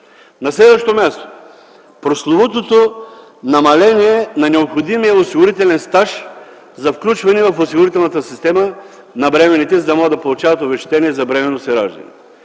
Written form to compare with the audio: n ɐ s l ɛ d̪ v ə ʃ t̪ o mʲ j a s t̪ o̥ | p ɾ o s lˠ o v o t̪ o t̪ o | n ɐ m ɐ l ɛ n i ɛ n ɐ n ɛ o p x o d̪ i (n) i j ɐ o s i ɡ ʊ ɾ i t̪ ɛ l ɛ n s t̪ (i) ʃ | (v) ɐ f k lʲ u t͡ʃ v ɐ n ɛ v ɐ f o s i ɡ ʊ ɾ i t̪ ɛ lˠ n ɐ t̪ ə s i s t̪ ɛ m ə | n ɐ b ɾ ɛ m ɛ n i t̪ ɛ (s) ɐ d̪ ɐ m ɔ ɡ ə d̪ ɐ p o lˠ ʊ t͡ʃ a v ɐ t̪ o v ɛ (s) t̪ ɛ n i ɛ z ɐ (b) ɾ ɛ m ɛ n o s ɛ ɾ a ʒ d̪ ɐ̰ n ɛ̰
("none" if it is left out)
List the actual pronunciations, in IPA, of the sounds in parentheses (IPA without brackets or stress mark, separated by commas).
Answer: m, a, z, z, ʃ, b